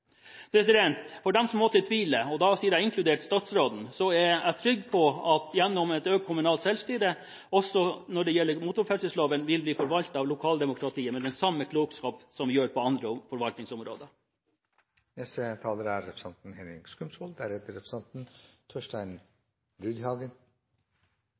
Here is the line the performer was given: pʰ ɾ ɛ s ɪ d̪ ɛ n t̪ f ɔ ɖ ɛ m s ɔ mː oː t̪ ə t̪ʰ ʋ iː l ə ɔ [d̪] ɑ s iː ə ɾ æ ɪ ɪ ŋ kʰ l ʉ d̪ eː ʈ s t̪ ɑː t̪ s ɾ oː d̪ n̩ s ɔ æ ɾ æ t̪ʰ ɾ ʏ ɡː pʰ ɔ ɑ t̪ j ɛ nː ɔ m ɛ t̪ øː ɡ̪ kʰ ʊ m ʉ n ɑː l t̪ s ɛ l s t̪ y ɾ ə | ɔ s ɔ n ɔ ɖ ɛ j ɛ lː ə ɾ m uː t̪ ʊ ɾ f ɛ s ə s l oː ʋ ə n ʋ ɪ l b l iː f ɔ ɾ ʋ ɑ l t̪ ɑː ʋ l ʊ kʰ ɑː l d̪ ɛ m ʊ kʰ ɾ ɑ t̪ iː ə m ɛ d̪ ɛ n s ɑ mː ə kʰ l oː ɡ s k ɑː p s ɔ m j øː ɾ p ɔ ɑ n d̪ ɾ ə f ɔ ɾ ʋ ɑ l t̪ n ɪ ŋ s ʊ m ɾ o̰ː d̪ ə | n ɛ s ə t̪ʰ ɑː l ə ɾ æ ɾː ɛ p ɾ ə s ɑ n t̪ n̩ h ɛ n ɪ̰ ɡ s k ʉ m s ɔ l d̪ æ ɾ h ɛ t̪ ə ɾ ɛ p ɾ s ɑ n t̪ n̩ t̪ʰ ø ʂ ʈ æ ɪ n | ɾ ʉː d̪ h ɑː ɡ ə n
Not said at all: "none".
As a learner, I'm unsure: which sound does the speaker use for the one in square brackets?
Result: d̪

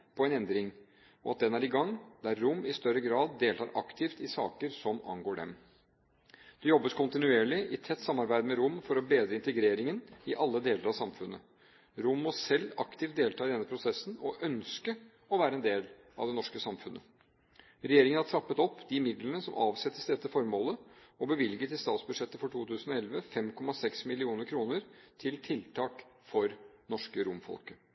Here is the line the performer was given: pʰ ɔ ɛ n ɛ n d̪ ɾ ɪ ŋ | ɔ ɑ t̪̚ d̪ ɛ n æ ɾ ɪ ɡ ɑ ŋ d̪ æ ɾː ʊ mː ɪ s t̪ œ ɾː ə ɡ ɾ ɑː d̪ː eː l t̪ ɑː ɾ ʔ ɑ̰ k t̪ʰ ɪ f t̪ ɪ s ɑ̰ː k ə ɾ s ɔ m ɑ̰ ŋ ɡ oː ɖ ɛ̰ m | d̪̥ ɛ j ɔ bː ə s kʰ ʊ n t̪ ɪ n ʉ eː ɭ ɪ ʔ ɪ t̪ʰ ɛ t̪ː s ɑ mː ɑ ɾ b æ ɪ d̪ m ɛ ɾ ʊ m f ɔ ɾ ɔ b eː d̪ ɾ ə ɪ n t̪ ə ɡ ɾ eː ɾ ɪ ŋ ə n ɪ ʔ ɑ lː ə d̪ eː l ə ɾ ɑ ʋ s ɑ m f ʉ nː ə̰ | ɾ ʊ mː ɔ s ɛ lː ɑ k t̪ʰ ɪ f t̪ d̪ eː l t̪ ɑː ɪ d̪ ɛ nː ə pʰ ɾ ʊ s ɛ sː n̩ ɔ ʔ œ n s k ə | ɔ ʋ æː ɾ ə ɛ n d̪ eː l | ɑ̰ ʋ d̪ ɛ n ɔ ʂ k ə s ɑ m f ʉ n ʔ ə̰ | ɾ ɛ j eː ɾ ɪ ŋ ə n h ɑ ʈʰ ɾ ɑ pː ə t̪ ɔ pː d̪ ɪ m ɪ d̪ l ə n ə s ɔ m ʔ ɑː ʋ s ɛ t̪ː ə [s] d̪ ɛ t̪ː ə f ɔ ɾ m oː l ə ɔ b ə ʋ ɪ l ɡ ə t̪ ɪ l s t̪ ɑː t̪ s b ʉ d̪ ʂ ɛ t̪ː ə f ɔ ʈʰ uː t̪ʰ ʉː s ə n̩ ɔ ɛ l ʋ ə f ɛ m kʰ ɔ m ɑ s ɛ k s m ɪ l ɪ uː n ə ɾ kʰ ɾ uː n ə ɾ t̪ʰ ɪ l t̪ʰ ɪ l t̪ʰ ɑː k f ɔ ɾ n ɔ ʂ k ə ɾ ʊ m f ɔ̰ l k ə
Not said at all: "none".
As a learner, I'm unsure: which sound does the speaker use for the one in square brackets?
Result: s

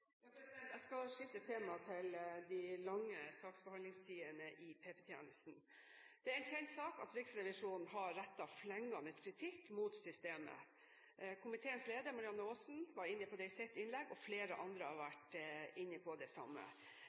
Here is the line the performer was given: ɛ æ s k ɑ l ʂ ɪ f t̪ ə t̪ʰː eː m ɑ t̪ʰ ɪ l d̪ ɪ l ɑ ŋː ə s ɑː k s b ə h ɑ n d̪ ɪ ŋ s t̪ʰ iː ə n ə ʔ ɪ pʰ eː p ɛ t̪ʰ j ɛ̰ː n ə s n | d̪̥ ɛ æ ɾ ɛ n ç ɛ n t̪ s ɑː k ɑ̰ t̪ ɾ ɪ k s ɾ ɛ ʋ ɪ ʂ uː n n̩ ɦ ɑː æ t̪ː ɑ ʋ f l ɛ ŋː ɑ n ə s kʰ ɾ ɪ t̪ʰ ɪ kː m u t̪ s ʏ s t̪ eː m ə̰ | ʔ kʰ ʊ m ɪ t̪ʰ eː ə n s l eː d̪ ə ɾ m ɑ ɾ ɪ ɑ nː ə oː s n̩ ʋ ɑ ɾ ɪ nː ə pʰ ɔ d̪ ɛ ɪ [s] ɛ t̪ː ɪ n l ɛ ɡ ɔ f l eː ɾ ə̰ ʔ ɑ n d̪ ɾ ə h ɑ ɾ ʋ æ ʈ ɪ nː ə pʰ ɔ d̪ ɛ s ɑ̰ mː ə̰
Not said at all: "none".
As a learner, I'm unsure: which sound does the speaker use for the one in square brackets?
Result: s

